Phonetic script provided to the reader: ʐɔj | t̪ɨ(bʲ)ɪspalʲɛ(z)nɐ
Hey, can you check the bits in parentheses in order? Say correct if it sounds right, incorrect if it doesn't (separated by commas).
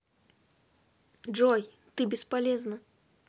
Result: correct, correct